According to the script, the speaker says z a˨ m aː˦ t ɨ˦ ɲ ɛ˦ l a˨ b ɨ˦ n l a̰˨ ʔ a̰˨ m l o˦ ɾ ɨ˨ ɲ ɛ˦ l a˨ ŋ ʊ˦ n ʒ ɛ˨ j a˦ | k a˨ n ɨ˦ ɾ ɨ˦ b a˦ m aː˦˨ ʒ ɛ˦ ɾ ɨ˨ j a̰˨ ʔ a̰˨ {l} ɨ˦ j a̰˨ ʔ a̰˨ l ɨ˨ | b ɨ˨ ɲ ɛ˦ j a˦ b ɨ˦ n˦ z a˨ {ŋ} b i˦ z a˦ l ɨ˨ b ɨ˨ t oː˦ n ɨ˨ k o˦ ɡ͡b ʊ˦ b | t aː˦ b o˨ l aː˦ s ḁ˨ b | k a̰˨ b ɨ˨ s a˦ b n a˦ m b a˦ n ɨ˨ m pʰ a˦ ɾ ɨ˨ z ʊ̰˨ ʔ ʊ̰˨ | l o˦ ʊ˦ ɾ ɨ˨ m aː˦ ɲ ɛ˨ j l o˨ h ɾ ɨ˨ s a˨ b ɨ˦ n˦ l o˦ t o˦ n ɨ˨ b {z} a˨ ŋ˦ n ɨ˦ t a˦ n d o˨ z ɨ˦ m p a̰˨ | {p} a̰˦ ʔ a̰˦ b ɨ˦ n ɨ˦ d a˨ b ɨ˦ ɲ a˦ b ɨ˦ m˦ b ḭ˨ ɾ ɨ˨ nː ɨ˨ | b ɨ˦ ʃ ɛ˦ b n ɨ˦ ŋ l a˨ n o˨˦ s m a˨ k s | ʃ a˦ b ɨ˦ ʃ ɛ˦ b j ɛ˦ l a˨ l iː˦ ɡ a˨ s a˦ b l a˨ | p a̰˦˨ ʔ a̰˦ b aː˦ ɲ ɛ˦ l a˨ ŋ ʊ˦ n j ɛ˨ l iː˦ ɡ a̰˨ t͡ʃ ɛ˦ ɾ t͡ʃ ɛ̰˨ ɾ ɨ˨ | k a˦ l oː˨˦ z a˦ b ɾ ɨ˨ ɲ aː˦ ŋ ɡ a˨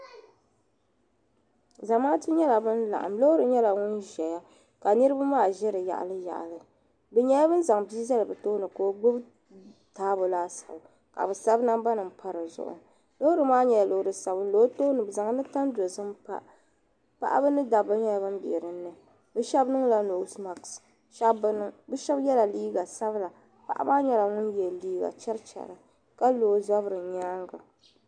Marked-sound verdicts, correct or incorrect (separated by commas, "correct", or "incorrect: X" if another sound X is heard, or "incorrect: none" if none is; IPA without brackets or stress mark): correct, correct, correct, correct